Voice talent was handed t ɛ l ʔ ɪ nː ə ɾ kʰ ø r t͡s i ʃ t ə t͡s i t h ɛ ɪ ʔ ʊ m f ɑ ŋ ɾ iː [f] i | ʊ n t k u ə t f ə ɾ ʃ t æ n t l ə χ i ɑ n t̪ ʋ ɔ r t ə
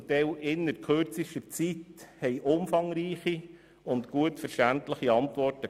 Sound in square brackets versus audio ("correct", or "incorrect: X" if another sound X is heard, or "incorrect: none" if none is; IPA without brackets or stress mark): incorrect: χ